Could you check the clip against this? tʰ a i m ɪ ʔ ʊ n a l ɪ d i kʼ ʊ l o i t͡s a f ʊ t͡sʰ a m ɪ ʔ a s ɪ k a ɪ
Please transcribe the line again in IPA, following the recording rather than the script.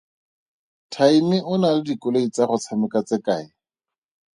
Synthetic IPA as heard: tʰ a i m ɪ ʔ ʊ n a l ɪ d i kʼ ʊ l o i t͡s a χ ʊ t͡sʰ a m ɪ k a t͡s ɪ k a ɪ